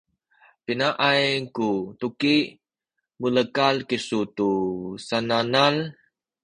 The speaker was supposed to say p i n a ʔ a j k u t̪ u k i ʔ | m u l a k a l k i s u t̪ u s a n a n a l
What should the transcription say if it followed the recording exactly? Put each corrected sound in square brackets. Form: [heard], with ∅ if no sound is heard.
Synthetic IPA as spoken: p i n a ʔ a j k u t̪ u k i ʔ | m u l [ə] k a l k i s u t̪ u s a n a n a l